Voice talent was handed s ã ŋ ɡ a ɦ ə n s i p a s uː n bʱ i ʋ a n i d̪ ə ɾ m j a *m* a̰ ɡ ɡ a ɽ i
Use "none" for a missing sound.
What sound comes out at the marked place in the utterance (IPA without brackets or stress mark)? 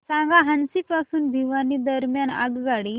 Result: n